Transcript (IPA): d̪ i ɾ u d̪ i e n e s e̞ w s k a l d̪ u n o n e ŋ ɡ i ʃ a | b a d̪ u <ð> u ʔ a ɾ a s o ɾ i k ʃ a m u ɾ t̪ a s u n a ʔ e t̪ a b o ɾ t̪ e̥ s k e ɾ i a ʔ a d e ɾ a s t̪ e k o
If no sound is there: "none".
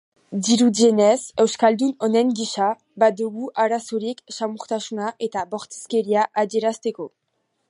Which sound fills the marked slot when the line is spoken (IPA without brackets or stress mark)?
ɣ